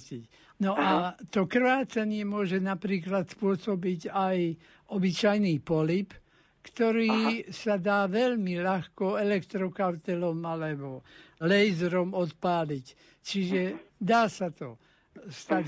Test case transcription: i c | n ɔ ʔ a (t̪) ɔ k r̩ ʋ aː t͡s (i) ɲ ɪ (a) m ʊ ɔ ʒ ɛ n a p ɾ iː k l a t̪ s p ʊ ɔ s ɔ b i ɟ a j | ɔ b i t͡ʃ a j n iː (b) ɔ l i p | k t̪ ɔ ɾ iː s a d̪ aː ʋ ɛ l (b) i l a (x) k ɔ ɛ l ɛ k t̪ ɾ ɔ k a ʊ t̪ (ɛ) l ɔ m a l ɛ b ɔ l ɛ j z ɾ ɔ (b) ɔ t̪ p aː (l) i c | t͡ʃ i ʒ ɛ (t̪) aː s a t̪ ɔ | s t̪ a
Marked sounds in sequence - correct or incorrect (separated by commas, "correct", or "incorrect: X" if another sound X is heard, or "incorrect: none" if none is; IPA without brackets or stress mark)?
correct, incorrect: a, incorrect: ɛ, incorrect: p, incorrect: m, correct, correct, incorrect: m, correct, incorrect: d̪